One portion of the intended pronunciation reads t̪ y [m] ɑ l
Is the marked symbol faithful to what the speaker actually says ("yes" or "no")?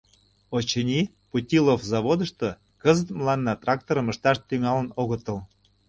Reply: no